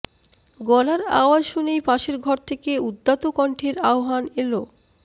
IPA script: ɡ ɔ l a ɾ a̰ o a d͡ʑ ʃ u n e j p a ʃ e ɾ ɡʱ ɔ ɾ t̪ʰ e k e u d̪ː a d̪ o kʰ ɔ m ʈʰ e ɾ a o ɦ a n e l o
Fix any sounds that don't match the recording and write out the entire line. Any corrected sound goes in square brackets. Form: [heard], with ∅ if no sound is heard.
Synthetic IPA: ɡ ɔ l a ɾ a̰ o a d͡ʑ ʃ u n e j p a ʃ e ɾ ɡʱ ɔ ɾ t̪ʰ e k e u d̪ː a [t̪] o [k] ɔ [ɳ] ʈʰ e ɾ a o ɦ a n e l o